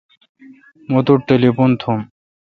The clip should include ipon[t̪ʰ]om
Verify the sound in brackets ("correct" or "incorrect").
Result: correct